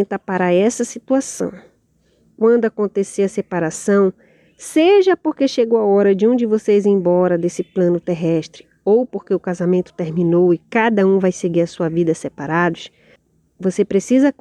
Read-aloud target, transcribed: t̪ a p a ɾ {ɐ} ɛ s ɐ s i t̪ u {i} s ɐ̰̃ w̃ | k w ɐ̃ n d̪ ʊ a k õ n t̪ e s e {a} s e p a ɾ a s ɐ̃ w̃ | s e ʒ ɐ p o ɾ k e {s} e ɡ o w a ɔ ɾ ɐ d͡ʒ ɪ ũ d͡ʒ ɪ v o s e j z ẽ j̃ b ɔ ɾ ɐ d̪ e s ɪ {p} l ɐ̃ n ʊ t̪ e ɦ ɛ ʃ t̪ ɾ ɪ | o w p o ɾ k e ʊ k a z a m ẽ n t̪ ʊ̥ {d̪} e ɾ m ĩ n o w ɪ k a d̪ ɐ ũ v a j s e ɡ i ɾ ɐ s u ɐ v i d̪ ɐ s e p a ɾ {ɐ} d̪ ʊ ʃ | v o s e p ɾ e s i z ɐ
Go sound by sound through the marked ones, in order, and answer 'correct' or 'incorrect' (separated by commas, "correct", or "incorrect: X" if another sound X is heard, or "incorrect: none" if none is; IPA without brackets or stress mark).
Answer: incorrect: a, incorrect: a, incorrect: ɐ, incorrect: ʃ, correct, incorrect: t̪, incorrect: a